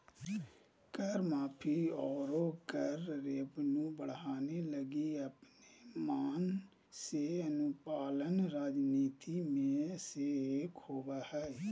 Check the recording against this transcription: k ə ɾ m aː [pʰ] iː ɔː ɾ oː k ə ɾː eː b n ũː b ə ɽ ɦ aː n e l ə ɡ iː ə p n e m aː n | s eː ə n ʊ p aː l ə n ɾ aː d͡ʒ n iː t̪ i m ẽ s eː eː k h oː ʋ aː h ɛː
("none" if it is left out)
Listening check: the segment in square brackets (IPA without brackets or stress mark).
pʰ